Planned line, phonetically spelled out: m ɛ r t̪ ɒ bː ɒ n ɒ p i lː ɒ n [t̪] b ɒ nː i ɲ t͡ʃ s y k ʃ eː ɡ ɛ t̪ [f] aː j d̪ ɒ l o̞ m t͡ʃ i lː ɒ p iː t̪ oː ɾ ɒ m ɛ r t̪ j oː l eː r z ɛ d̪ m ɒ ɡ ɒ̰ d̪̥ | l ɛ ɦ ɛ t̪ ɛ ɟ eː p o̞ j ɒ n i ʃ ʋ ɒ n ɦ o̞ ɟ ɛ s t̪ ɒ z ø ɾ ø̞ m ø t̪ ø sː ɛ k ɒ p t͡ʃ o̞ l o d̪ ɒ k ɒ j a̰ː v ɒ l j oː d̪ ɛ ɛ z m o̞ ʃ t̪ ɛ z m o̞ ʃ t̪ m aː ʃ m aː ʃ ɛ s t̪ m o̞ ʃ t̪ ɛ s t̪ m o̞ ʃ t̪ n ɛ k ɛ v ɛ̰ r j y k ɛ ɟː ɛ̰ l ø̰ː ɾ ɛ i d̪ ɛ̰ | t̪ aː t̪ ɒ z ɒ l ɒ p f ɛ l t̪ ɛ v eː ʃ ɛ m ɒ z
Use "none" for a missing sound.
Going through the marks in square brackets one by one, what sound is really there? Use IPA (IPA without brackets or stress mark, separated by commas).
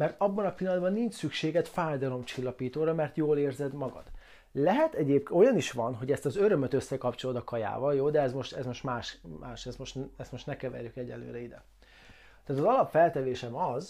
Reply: d̪, f